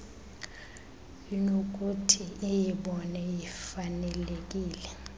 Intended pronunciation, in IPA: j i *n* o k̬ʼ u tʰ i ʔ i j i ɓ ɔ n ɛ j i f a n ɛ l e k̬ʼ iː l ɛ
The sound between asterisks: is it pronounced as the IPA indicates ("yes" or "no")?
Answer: yes